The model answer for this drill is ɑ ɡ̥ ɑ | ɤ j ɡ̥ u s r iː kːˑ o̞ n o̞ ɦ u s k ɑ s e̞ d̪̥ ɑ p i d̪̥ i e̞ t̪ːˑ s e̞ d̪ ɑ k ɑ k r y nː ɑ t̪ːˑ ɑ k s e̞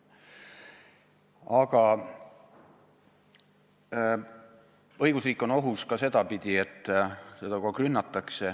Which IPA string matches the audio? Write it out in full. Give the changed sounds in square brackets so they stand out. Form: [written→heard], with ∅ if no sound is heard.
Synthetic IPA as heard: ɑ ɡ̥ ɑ | ɤ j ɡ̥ u s r iː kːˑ o̞ n o̞ ɦ u s k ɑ s e̞ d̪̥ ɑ p i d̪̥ i e̞ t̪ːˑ s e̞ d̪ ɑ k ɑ k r y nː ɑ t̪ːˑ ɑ k s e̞